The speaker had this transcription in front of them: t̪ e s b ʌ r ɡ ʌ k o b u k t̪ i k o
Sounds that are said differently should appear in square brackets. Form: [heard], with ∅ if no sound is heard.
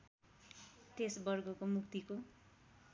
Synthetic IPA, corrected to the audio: t̪ e s b ʌ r ɡ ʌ k o [m] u k t̪ i k o